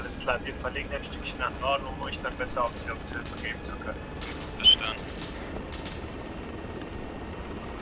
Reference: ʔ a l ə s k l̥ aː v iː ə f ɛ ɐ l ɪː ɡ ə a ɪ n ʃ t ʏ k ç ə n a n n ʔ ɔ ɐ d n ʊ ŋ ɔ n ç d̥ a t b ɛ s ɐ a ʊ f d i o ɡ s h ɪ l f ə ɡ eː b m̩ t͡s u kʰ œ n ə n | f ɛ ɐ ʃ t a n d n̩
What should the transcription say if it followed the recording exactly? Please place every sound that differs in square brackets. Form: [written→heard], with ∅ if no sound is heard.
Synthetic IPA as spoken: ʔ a l ə s k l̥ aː v iː [ə→ɐ] f ɛ ɐ l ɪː ɡ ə a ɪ n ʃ t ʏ k ç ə n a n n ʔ ɔ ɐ d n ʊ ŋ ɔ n ç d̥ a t b ɛ s ɐ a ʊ f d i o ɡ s h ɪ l f ə ɡ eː b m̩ t͡s u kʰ œ n ə n | f ɛ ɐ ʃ t a n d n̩

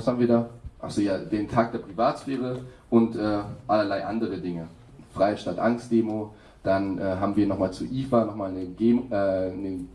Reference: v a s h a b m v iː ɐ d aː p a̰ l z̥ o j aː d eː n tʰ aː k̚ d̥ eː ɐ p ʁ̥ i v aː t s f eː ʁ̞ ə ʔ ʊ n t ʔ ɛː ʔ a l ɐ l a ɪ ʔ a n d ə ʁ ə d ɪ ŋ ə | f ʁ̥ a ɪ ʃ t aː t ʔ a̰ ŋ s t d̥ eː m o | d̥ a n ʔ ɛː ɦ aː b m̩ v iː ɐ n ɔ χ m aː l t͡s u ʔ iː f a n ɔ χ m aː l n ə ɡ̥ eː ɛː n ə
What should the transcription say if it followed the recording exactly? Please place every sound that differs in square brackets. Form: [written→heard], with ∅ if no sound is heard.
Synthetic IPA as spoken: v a s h a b m v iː ɐ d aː [p→ʔ] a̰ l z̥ o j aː d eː n tʰ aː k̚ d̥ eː ɐ p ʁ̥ i v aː t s f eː ʁ̞ ə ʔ ʊ n t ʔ ɛː ʔ a l ɐ l a ɪ ʔ a n d ə ʁ ə d ɪ ŋ ə | f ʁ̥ a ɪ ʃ t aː t ʔ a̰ ŋ s t d̥ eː m o | d̥ a n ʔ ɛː ɦ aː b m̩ v iː ɐ n ɔ χ m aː l t͡s u ʔ iː f a n ɔ χ m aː l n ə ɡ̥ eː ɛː n ə

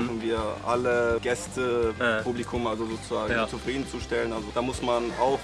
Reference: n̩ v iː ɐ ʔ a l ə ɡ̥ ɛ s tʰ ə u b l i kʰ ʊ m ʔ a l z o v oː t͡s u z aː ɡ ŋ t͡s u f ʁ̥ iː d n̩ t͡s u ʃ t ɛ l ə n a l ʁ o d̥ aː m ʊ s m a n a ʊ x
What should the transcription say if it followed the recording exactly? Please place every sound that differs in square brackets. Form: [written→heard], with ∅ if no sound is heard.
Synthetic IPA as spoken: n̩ v iː ɐ ʔ a l ə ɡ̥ ɛ s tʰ ə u b l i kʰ ʊ m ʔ a l z o [v→z] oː t͡s u z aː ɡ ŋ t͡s u f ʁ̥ iː d n̩ t͡s u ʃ t ɛ l ə n a l [ʁ→z] o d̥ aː m ʊ s m a n a ʊ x

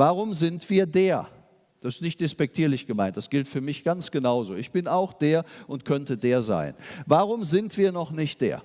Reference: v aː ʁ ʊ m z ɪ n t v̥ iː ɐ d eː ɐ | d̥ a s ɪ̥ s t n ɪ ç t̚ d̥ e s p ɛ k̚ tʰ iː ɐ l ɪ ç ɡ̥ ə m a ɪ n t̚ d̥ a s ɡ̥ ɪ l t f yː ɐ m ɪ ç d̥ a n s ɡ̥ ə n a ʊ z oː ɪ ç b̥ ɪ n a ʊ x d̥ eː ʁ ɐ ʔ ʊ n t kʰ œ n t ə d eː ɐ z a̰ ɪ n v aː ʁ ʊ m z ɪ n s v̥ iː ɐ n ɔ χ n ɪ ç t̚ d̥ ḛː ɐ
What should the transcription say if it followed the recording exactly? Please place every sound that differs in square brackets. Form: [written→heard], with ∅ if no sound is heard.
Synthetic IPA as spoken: v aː ʁ ʊ m z ɪ n t v̥ iː ɐ d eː ɐ | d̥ a s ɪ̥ s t n ɪ ç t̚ d̥ e s p ɛ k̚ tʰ iː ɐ l ɪ ç ɡ̥ ə m a ɪ n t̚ d̥ a s ɡ̥ ɪ l t f yː ɐ m ɪ ç [d̥→ɡ̥] a n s ɡ̥ ə n a ʊ z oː ɪ ç b̥ ɪ n a ʊ x d̥ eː [ʁ→∅] ɐ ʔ ʊ n t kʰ œ n t ə d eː ɐ z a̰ ɪ n v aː ʁ ʊ m z ɪ n [s→t] v̥ iː ɐ n ɔ χ n ɪ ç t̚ d̥ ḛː ɐ

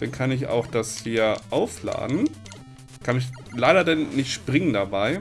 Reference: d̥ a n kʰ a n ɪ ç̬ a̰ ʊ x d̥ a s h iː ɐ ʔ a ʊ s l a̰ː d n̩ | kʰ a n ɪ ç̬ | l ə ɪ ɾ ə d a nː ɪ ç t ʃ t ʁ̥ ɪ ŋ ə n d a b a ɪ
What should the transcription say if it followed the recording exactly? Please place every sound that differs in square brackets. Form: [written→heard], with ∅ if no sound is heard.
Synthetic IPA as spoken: d̥ a n kʰ a n ɪ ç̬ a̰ ʊ x d̥ a s h iː ɐ ʔ a ʊ [s→f] l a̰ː d n̩ | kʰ a n ɪ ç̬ | l [ə→a] ɪ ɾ [ə→ɐ] d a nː ɪ ç t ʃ [t→p] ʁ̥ ɪ ŋ ə n d a b a ɪ

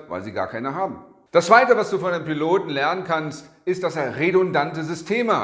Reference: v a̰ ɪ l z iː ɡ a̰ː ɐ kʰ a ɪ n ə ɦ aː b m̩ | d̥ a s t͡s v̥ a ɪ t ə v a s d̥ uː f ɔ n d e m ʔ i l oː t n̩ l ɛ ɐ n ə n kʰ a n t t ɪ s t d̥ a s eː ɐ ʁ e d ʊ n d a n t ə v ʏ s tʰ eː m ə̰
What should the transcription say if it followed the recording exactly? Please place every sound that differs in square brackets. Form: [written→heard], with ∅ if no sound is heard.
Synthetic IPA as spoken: v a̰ ɪ l z iː ɡ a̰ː ɐ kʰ a ɪ n ə ɦ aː b m̩ | d̥ a s t͡s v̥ a ɪ t ə v a s d̥ uː f ɔ n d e m [ʔ→p] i l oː t n̩ l ɛ ɐ n ə n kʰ a n [t→s] t ɪ s t d̥ a s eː ɐ ʁ e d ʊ n d a n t ə [v→z] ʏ s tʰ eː m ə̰

